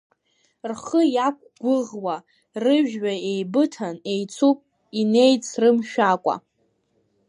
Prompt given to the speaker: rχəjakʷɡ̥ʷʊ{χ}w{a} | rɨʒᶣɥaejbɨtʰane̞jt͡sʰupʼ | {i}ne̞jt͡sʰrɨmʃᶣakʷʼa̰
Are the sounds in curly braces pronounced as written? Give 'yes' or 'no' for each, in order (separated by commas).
no, yes, yes